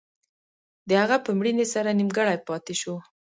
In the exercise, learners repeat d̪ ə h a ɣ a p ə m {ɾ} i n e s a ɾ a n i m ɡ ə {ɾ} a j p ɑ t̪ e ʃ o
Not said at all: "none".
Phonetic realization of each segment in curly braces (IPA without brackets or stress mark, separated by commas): ɽ, ɽ